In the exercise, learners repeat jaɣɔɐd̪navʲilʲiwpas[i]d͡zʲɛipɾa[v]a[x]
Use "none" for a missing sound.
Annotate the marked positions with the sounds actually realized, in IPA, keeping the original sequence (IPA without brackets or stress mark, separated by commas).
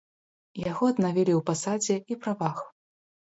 a, v, x